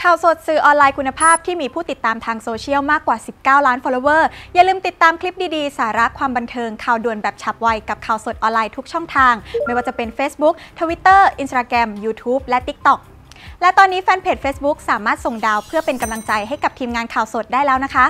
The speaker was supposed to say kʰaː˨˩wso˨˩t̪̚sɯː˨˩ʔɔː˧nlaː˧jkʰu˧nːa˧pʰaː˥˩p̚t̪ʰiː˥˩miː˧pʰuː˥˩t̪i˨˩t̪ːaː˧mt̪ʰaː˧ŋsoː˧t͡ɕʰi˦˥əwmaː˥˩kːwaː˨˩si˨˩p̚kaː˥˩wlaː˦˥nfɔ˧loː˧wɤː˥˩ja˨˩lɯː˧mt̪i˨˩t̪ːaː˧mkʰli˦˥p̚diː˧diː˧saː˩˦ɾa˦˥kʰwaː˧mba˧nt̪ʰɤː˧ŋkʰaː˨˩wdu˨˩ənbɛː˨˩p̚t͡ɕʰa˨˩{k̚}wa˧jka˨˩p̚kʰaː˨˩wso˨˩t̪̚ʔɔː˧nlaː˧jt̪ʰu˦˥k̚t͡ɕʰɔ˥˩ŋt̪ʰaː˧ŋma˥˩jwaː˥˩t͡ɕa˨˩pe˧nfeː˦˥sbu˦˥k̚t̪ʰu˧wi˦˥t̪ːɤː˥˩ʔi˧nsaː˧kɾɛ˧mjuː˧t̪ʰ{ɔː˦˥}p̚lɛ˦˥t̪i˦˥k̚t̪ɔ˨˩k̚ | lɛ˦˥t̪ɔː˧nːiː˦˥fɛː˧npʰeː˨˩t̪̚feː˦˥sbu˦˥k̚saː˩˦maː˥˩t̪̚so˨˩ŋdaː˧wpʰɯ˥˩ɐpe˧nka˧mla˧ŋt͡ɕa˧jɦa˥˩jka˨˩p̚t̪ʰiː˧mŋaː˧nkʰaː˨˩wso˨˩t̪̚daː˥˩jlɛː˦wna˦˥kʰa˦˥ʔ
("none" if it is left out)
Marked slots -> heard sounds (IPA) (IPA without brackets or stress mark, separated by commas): p̚, uː˦˥